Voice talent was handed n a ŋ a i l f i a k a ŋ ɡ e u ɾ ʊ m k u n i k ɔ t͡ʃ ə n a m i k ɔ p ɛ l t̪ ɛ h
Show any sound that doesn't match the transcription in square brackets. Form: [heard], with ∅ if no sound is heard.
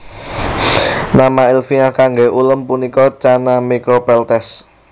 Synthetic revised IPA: n a [m] a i l f i a k a ŋ ɡ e u [l] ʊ m [p] u n i k ɔ t͡ʃ [a] n a m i k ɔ p ɛ l t̪ ɛ [s]